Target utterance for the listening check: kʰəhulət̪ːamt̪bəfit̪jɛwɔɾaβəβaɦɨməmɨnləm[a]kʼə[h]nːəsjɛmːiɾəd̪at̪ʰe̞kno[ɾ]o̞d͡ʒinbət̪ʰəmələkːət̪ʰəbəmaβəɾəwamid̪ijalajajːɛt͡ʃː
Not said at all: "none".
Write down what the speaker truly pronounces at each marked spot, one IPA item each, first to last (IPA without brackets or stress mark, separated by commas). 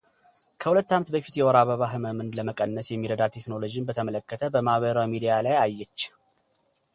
ə, none, l